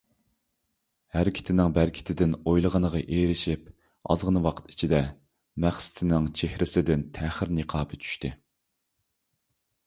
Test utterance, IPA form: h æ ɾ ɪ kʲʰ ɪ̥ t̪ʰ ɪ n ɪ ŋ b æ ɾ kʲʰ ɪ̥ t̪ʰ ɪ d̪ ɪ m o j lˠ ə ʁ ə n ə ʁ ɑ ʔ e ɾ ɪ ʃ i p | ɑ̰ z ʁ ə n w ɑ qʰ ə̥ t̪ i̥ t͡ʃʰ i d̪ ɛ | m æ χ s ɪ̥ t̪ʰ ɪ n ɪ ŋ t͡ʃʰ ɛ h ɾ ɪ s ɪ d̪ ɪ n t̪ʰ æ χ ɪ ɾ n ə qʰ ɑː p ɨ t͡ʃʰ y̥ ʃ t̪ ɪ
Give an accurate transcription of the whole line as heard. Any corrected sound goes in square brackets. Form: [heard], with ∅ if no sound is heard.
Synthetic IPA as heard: h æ ɾ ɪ kʲʰ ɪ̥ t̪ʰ ɪ n ɪ ŋ b æ ɾ kʲʰ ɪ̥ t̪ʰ ɪ d̪ ɪ [n] o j lˠ ə ʁ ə n ə ʁ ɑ ʔ e ɾ ɪ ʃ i p | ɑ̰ z ʁ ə n w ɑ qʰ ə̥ t̪ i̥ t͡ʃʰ i d̪ ɛ | m æ χ s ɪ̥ t̪ʰ ɪ n ɪ ŋ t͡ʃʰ [e] h ɾ ɪ s ɪ d̪ ɪ n t̪ʰ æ χ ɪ ɾ n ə qʰ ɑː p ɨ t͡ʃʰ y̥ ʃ t̪ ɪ